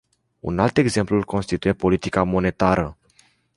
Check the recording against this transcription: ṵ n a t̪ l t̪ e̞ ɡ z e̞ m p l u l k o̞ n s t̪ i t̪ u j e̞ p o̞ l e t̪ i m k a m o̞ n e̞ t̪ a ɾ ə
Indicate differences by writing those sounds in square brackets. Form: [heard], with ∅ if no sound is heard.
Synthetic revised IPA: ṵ n a [∅] l t̪ e̞ ɡ z e̞ m p l u l k o̞ n s t̪ i t̪ u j e̞ p o̞ l [i] t̪ i [∅] k a m o̞ n e̞ t̪ a ɾ ə